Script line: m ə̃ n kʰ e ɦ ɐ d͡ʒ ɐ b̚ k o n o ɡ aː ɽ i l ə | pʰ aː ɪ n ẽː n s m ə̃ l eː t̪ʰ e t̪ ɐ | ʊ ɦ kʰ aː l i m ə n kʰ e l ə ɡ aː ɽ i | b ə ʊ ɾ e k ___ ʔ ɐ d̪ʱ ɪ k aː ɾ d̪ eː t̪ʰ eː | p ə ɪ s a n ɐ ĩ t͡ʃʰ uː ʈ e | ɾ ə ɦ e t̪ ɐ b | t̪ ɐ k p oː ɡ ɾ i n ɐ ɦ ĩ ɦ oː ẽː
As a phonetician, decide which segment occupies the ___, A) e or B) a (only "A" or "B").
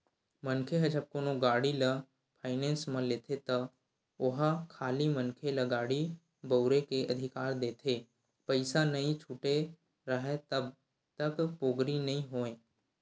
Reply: A